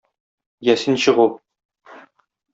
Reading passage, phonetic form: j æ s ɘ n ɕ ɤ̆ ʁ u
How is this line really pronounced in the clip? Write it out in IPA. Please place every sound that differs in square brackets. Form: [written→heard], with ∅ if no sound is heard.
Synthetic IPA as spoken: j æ s ɘ n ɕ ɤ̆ ʁ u